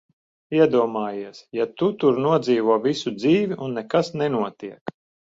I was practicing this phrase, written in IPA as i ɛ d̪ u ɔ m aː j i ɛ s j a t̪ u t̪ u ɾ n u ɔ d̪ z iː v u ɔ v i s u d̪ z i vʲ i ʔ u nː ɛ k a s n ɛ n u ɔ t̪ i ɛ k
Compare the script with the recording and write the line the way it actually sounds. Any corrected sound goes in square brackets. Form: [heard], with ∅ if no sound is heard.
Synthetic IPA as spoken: i ɛ d̪ u ɔ m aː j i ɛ s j a t̪ u t̪ u ɾ n u ɔ d̪ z iː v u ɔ v i s u d̪ z [iː] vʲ i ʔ u nː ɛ k a s n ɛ n u ɔ t̪ i ɛ k

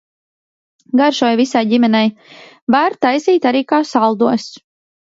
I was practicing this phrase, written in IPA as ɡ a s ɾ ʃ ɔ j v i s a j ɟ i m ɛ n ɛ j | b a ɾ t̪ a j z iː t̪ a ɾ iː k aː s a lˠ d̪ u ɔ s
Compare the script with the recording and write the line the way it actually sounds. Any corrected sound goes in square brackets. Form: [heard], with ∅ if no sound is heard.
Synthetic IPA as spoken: ɡ a [∅] ɾ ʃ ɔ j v i s a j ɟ i m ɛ n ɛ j | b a ɾ t̪ a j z iː t̪ a ɾ iː k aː s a lˠ d̪ u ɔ s

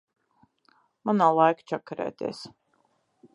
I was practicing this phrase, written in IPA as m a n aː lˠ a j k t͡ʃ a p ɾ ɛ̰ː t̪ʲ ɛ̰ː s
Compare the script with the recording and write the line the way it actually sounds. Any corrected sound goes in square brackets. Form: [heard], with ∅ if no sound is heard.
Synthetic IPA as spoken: m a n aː lˠ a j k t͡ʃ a [k] ɾ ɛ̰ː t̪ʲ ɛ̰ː s

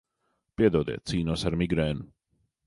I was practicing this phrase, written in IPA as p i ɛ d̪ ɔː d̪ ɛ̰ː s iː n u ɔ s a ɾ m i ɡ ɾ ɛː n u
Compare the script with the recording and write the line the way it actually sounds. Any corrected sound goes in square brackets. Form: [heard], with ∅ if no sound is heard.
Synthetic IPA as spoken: p i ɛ d̪ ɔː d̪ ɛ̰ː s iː n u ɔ s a ɾ m i ɡ ɾ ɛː n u

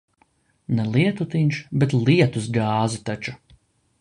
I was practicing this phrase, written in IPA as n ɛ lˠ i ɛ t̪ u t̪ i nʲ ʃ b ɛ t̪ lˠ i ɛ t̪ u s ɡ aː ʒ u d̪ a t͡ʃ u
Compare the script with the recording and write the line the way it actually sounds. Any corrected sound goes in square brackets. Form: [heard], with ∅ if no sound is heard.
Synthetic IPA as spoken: n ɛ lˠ i ɛ t̪ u t̪ i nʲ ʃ b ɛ t̪ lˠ i ɛ t̪ u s ɡ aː [z] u [t̪] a t͡ʃ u

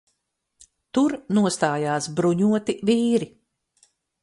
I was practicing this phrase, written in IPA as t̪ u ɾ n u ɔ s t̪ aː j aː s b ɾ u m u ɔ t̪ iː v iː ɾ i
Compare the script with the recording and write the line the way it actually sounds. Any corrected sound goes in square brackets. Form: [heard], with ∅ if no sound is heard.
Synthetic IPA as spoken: t̪ u ɾ n u ɔ s t̪ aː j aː s b ɾ u [ɲ] u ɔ t̪ [i] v iː ɾ i

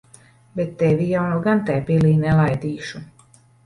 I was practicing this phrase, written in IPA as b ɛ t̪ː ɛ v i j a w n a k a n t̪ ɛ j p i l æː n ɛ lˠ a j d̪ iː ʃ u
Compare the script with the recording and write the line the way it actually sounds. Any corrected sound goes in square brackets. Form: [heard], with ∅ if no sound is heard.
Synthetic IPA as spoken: b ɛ t̪ː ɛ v i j a w n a [ɡ] a n t̪ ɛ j p i l [iː] n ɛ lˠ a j d̪ iː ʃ u

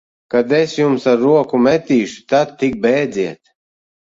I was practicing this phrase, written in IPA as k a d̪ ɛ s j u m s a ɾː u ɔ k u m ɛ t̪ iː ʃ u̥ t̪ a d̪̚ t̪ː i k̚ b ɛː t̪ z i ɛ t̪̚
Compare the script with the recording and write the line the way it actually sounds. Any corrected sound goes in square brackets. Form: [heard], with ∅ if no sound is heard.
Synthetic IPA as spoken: k a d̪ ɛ s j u m s a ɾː u ɔ k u m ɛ t̪ iː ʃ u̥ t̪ a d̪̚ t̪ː i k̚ b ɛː [d̪] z i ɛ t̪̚

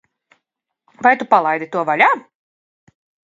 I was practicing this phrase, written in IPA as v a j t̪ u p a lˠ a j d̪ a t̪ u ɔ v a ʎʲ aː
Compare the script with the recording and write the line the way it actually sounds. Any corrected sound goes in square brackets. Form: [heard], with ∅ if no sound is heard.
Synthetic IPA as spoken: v a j t̪ u p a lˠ a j d̪ [i] t̪ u ɔ v a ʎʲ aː

